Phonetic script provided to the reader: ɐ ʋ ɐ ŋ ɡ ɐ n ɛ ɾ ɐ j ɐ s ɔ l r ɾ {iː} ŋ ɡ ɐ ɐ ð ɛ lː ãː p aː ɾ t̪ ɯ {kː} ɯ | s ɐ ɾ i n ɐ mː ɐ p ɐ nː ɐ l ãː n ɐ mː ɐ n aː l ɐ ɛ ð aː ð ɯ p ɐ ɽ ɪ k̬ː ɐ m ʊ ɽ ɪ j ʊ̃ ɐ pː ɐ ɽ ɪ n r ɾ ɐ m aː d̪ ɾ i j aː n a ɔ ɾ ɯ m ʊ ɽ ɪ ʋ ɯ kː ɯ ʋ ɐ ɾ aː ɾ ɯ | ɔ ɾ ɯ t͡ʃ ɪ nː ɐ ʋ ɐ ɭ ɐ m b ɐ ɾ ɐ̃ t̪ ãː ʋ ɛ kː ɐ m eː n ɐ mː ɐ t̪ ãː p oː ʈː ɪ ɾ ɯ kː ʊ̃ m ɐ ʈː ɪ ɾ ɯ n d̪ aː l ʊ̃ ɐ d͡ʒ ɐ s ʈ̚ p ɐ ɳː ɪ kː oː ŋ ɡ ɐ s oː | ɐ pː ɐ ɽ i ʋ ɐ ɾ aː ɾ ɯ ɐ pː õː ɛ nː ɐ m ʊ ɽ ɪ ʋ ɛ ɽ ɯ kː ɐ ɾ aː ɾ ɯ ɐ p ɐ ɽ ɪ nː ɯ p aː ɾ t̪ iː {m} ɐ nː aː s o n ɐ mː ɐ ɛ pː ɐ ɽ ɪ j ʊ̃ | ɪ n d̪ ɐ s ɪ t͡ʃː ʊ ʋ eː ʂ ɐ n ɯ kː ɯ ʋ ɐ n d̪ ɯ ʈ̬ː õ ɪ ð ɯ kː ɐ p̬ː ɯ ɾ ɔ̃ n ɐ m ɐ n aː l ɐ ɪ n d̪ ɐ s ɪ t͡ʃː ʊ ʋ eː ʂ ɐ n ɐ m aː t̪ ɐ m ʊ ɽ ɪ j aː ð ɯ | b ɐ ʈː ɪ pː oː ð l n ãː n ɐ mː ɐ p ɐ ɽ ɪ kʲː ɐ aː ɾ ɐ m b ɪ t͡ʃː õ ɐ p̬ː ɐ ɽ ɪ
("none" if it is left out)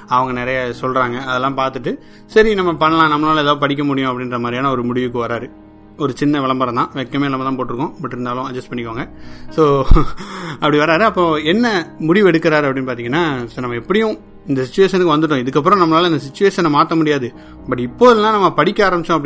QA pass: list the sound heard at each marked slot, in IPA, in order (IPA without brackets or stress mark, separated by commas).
aː, ʈː, ŋ